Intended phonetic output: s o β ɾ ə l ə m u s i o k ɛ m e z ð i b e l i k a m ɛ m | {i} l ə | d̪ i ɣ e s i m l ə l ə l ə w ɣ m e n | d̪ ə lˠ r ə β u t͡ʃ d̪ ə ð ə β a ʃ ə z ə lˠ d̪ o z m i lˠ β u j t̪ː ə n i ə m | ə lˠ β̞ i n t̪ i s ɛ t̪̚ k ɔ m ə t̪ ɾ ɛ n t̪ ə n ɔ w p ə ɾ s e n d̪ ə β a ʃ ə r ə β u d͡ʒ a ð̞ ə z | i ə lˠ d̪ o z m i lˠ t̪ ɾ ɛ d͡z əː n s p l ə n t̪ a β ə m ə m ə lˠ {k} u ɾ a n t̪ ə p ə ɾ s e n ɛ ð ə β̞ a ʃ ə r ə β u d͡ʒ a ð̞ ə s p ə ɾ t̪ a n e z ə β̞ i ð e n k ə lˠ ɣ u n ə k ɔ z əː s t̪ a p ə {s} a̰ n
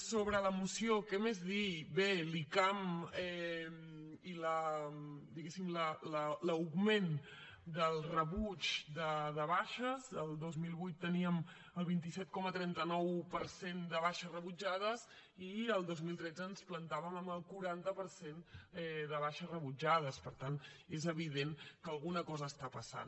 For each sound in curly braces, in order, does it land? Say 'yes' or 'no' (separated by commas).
yes, yes, yes